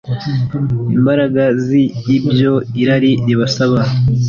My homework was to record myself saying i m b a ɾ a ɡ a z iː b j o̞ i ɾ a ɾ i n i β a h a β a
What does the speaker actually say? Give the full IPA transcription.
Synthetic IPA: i m b a ɾ a ɡ a z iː b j o̞ i ɾ a ɾ i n i β a s a β a